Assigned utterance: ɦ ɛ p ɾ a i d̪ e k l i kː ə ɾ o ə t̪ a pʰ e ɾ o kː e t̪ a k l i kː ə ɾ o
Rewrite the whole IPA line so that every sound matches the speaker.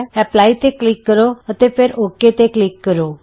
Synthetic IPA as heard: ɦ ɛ p l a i t̪ e k l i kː ə ɾ o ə t̪ e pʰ e ɾ o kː e t̪ e k l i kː ə ɾ o